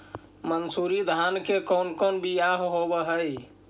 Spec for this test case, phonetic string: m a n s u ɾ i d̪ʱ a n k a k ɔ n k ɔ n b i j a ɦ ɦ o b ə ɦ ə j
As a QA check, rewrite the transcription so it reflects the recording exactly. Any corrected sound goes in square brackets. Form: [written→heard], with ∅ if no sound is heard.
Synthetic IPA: m [a→ə] n s u ɾ i d̪ʱ a n k [a→e] k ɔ n k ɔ n b i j a ɦ ɦ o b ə ɦ ə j